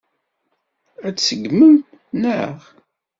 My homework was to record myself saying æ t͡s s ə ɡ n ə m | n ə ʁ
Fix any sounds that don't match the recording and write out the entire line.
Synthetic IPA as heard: æ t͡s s ə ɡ m ə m | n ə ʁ